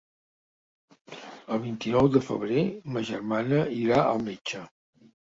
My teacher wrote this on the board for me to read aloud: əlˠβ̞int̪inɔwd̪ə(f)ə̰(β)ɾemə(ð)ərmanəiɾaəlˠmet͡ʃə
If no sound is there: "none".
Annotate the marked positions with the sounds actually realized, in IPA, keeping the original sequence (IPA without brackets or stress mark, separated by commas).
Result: f, β, ʒ